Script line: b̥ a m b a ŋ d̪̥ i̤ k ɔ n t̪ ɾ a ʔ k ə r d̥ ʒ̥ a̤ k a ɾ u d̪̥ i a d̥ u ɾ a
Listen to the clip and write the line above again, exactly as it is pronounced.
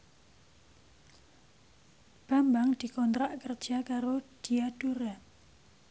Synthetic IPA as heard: b̥ a m b a ŋ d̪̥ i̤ k ɔ n t̪ ɾ a ʔ k ə r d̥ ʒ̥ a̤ k a ɾ o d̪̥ i a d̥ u ɾ a